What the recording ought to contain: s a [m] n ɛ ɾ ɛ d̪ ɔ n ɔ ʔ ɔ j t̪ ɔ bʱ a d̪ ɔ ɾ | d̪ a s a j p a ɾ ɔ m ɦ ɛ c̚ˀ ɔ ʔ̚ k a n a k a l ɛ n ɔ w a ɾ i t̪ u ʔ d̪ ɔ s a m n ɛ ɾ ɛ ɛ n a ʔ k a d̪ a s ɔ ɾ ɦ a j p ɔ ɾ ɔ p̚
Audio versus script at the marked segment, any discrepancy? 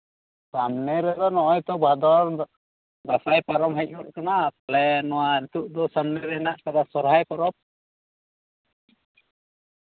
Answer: no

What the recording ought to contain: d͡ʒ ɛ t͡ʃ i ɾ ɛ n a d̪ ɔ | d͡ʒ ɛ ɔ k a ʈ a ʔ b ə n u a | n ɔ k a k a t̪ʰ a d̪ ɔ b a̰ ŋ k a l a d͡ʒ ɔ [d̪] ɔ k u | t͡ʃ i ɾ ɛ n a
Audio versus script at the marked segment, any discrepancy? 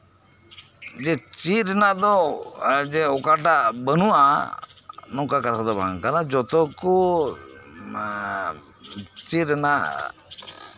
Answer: yes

